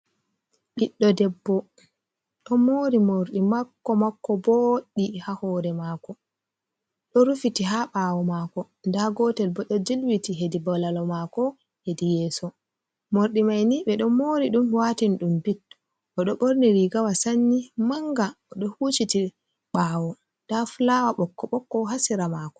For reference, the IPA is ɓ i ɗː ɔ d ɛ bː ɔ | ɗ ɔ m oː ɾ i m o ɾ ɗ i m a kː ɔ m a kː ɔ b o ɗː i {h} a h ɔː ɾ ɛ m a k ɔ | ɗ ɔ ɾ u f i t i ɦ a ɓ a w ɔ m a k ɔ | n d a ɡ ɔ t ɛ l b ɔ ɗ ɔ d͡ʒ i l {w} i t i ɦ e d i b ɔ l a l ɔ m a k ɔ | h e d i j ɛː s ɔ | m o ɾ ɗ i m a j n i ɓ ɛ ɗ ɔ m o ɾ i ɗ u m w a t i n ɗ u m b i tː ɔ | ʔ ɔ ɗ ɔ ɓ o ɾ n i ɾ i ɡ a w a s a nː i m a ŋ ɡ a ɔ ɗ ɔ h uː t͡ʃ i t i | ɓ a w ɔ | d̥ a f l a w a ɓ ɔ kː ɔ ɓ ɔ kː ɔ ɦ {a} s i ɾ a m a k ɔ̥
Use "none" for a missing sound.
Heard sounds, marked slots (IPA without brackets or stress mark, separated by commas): h, w, a